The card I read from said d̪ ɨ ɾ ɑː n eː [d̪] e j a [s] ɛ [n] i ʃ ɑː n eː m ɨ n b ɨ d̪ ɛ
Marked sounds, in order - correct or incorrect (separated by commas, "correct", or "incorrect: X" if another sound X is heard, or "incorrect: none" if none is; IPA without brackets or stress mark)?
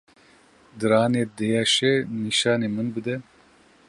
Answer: correct, incorrect: ʃ, correct